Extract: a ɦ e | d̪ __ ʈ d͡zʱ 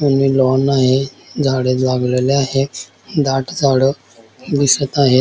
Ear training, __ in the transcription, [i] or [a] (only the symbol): a